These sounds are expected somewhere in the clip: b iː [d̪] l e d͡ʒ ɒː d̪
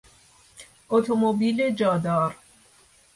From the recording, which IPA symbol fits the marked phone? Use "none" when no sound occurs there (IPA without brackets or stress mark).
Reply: none